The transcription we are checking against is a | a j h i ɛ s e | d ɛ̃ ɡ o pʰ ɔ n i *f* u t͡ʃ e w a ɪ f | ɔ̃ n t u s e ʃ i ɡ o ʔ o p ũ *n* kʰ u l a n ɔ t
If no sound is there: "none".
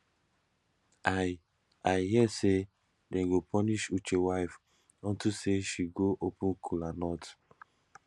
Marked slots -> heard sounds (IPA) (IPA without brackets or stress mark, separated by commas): ʃ, n